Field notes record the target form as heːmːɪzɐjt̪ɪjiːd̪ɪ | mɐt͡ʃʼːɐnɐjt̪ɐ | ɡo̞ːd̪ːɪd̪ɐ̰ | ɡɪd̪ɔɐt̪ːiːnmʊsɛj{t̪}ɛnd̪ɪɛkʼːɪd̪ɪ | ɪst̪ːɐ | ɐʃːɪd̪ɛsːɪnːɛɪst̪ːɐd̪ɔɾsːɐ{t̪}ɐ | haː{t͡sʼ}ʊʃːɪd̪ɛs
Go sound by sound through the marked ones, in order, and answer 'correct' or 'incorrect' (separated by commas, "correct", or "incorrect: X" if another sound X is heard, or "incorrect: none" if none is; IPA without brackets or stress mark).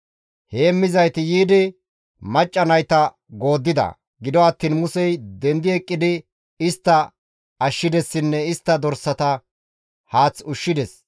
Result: incorrect: d̪, correct, incorrect: t͡s